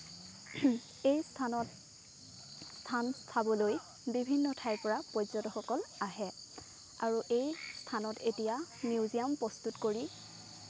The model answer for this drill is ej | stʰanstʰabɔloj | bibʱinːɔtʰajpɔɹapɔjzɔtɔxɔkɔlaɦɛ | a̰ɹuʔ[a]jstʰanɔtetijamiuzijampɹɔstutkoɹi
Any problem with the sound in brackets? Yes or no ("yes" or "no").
yes